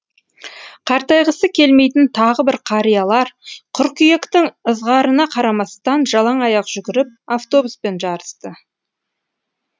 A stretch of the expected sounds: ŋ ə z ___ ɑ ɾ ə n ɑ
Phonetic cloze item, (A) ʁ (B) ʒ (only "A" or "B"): A